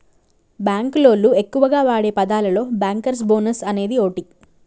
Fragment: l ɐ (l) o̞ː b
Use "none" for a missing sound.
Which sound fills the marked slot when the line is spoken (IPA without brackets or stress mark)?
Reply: l